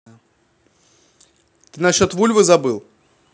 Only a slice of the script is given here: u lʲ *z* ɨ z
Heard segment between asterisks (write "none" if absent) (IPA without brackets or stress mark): v